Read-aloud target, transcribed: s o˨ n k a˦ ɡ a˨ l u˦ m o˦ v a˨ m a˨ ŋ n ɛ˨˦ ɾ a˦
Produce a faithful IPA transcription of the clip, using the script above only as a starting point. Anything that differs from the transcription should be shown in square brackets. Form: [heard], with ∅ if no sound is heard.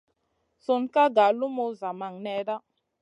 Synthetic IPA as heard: s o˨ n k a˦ ɡ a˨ l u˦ m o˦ [z] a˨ m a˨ ŋ n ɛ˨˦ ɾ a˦